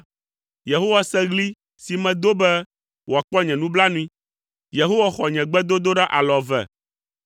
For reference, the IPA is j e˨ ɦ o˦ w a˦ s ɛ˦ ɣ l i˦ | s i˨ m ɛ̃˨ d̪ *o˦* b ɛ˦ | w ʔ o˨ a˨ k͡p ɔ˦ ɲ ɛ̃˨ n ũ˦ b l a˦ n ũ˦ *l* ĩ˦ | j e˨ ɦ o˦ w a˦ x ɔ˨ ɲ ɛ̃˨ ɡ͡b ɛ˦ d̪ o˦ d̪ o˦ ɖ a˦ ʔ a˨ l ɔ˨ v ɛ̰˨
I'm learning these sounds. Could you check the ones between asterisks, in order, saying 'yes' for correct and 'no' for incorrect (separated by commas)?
yes, no